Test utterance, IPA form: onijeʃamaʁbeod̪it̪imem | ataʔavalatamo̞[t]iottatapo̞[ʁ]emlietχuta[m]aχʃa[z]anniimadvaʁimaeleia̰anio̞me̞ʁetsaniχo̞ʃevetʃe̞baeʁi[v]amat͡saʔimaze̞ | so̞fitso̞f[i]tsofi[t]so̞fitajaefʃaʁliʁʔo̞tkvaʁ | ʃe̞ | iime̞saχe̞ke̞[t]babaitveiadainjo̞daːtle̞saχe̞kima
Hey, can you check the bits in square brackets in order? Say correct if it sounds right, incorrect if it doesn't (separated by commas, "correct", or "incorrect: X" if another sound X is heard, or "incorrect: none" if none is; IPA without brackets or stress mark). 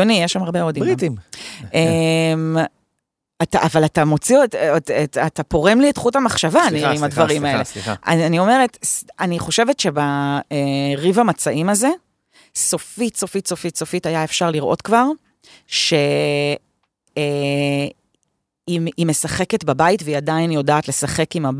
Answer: incorrect: t͡s, correct, correct, incorrect: v, correct, correct, correct, correct